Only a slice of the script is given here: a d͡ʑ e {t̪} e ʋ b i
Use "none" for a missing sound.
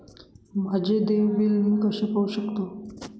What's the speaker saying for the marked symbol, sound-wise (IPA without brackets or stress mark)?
d̪